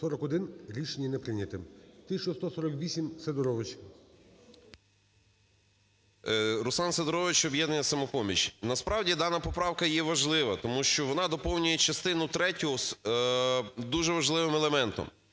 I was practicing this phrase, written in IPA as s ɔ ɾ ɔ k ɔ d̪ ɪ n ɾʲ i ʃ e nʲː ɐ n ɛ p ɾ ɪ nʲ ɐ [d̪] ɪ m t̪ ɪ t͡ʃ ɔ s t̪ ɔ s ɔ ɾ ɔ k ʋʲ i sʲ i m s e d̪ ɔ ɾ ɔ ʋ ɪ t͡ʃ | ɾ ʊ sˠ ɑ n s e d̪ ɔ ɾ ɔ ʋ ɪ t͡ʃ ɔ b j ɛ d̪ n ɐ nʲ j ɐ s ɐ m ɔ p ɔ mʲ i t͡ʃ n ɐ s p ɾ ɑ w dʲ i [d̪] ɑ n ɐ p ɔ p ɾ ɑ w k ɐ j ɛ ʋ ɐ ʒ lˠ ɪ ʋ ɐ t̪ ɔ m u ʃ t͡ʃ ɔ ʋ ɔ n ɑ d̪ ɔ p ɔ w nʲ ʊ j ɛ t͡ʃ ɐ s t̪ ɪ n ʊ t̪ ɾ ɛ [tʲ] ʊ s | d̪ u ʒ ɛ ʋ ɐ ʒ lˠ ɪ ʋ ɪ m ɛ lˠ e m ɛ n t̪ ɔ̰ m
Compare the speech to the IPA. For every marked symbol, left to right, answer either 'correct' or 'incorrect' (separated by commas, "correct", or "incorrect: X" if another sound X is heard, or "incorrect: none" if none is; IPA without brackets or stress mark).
incorrect: t̪, correct, correct